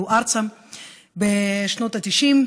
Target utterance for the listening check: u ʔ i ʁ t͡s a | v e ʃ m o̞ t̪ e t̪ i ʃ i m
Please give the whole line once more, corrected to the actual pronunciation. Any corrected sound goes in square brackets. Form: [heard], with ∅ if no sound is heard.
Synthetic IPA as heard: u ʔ [a] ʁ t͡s a | [b] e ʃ [n] o̞ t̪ [a] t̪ i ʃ i m